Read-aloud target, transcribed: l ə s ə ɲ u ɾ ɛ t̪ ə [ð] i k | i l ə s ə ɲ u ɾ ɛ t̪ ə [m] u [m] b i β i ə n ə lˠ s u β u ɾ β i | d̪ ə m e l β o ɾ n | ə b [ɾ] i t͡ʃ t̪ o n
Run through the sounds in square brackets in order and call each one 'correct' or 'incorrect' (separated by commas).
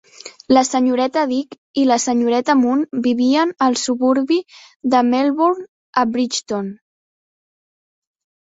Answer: correct, correct, incorrect, correct